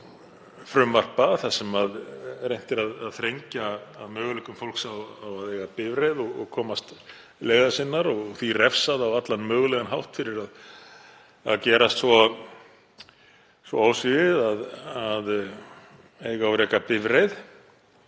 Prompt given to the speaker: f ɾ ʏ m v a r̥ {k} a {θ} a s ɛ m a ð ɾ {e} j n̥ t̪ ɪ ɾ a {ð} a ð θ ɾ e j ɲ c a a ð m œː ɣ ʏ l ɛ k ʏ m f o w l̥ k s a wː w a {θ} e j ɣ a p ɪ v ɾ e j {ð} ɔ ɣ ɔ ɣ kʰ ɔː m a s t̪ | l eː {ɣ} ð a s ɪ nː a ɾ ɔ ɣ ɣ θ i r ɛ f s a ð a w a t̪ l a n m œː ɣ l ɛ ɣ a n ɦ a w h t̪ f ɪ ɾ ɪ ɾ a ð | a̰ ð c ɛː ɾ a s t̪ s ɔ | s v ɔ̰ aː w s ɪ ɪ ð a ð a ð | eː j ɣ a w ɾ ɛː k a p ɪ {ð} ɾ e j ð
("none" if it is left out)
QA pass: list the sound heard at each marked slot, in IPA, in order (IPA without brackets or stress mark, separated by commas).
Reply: p, θ, e, ð, ð, ð, ɣ, v